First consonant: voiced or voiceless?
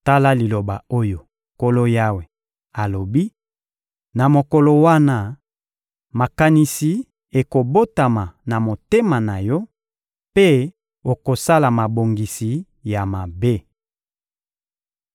voiceless